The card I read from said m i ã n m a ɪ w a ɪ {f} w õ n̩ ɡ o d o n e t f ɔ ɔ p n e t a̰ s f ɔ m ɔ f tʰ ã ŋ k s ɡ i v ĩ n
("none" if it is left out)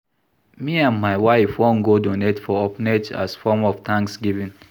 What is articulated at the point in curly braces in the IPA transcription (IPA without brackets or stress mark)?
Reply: f